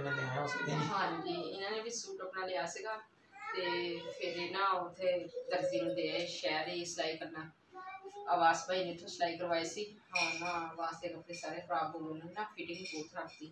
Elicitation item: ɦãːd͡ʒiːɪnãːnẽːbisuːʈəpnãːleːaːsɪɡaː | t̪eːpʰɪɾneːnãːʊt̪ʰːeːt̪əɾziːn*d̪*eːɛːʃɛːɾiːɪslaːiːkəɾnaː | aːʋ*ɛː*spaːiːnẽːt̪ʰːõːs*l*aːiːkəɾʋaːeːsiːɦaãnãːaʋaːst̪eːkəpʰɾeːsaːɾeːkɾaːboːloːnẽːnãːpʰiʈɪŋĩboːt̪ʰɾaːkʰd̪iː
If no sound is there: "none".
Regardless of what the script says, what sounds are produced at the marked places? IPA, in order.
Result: d̪, aː, l

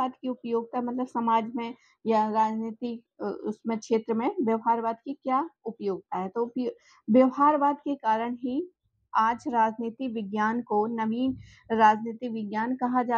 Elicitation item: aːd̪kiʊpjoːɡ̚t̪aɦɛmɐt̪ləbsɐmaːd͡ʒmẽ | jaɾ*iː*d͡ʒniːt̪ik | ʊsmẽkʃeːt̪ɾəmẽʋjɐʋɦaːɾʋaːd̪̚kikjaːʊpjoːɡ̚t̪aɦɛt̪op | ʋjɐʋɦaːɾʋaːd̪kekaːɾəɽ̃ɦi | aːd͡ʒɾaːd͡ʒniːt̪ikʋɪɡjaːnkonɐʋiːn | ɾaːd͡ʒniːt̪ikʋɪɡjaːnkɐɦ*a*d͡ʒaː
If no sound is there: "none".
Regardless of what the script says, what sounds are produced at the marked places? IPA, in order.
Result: aː, a

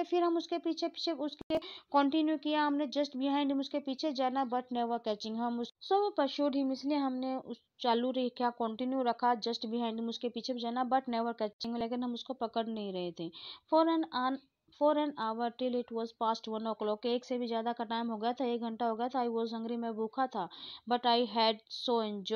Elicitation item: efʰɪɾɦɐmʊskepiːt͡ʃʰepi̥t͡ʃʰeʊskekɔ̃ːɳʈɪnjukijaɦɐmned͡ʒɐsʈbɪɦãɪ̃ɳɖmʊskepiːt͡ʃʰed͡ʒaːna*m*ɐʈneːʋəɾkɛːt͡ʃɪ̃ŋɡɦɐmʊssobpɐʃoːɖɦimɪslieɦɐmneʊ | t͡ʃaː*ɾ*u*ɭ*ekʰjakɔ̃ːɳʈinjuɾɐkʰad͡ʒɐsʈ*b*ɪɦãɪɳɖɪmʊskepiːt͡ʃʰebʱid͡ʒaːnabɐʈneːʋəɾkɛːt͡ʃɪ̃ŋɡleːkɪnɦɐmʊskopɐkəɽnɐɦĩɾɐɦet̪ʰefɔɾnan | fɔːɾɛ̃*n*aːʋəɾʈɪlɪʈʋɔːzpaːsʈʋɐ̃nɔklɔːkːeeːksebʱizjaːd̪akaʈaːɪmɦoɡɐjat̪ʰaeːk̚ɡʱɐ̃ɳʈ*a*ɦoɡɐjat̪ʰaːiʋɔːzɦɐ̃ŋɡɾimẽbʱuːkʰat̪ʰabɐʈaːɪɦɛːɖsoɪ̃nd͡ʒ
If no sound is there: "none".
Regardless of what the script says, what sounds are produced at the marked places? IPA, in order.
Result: b, l, ɾ, b, n, a

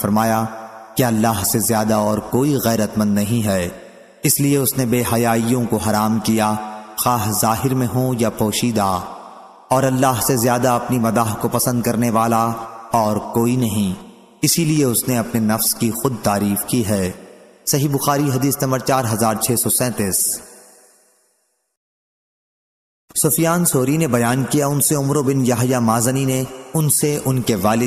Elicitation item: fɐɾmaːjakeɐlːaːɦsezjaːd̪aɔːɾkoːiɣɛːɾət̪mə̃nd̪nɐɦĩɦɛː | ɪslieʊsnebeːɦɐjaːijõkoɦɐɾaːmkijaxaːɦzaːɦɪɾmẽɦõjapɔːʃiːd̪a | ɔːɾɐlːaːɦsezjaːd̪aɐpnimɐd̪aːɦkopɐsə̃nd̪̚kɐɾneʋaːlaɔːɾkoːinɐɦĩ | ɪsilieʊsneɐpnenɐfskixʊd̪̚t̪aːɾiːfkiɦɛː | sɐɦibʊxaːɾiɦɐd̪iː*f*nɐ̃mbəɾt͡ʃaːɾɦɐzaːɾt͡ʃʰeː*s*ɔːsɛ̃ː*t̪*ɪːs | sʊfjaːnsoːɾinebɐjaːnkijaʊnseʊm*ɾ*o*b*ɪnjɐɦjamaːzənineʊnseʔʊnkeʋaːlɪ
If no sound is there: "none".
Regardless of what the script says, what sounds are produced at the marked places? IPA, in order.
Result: s, s, t̪, ɾ, b

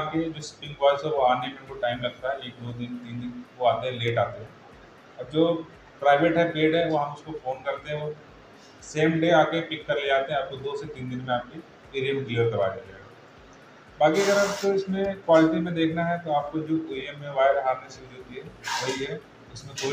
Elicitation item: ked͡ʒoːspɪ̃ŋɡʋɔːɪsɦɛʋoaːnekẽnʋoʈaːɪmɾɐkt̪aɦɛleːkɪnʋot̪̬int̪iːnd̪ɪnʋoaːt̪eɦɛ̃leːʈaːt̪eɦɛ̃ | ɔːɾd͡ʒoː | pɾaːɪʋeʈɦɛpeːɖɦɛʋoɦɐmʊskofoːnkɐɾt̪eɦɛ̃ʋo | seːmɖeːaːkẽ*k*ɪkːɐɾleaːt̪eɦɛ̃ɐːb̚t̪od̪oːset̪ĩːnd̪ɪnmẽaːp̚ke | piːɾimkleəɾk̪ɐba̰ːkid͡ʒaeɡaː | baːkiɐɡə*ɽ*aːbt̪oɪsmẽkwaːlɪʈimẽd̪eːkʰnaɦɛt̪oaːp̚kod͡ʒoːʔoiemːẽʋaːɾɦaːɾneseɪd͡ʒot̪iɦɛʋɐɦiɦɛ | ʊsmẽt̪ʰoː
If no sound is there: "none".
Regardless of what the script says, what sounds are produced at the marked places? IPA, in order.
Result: p, ɾ

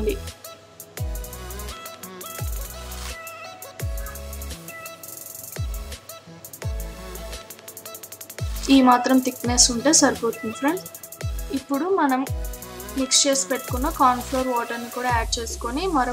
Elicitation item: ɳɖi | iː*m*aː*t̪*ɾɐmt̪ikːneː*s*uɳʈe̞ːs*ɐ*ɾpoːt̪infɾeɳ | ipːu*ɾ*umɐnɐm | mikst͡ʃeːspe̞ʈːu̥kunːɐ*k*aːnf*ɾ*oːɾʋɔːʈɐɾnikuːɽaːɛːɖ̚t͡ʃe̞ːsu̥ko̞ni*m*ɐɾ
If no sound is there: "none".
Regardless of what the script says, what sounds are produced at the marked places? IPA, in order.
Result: m, t̪, s, ɐ, ɽ, k, l, m

